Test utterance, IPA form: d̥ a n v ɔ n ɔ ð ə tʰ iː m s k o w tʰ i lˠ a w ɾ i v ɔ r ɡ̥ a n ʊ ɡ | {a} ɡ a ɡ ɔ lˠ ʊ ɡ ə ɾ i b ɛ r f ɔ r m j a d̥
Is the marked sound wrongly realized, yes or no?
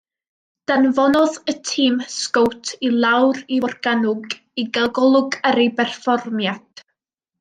yes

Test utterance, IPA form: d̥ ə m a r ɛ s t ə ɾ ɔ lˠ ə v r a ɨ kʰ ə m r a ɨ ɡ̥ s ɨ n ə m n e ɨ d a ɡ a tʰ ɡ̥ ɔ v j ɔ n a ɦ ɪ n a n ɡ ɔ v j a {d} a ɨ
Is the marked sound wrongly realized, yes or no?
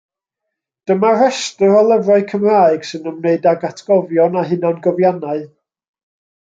yes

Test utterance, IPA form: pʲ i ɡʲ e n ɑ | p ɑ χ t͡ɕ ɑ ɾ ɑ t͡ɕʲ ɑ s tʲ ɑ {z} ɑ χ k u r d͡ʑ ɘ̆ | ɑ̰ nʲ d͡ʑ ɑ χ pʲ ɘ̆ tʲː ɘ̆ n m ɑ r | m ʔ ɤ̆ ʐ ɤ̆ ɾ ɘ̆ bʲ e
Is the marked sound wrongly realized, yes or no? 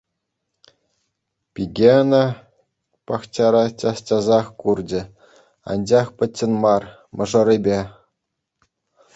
no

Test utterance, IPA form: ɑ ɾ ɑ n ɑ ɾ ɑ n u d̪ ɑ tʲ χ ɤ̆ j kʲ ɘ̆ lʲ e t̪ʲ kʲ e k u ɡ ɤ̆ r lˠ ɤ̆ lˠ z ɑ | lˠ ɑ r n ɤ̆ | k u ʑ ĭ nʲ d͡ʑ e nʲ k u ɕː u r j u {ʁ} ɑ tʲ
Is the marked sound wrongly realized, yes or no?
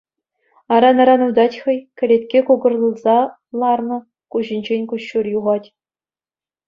no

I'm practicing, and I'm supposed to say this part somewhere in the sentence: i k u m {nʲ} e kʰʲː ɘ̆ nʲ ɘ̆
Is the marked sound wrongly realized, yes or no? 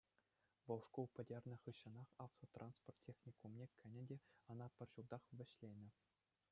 no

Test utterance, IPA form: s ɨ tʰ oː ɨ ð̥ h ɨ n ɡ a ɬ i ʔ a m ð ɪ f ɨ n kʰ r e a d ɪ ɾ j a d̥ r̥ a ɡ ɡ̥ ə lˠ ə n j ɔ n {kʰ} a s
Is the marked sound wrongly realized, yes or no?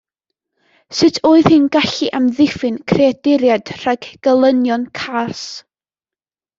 no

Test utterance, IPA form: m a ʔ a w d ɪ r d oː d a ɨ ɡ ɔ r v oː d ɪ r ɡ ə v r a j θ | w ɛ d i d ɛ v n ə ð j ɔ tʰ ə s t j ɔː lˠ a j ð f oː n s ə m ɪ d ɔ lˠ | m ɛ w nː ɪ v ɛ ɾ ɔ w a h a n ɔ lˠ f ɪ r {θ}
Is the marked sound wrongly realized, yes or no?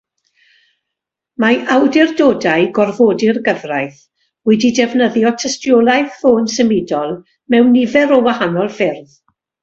yes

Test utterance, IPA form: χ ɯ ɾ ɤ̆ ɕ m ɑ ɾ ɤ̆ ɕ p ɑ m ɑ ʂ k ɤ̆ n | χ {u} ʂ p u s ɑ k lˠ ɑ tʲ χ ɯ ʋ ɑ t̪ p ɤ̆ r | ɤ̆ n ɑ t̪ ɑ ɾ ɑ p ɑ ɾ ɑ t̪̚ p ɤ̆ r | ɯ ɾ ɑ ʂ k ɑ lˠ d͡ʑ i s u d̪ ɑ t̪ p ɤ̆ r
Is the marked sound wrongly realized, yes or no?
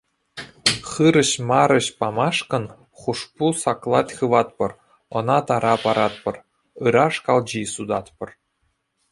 no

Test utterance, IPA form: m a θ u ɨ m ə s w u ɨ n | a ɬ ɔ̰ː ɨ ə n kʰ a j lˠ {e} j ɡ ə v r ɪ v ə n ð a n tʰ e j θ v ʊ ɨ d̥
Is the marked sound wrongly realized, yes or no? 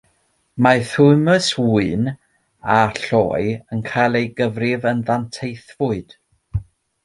no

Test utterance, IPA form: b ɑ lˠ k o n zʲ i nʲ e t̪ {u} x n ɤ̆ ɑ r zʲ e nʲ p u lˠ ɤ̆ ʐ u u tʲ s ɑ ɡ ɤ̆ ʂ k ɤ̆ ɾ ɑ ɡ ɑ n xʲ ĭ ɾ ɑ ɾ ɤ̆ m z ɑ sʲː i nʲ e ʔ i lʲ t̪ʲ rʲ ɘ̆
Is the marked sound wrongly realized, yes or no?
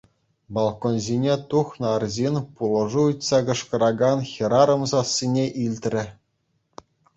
no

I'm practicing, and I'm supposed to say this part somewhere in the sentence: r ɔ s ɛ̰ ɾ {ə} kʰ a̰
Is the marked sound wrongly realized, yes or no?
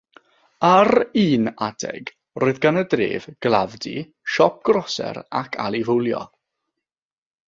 yes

